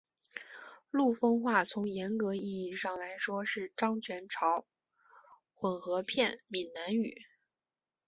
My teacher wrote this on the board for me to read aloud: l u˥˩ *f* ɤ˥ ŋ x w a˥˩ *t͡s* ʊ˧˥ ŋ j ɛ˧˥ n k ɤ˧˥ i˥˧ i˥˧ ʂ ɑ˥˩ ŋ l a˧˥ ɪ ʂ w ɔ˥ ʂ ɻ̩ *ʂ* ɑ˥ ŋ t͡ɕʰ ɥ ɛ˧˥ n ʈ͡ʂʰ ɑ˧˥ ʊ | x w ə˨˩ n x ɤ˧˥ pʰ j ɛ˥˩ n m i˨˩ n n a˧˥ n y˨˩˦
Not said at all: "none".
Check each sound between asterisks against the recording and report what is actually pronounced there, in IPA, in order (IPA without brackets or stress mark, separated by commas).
f, t͡sʰ, ʈ͡ʂ